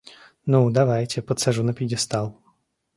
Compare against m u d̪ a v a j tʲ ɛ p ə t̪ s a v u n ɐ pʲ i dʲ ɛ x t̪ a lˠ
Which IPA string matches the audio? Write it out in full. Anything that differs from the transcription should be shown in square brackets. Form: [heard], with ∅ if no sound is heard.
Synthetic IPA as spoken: [n] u d̪ a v a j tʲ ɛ p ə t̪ s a [ʐ] u n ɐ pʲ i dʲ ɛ [s] t̪ a lˠ